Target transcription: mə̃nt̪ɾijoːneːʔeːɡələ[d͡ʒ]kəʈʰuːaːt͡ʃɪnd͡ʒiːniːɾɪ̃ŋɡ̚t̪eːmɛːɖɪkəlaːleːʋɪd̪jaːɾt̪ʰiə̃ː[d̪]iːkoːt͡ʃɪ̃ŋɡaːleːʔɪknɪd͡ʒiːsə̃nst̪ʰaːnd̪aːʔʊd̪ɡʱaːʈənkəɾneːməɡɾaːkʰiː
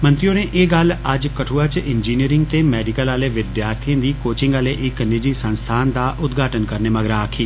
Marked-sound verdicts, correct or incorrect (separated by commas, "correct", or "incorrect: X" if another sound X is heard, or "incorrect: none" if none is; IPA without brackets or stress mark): correct, correct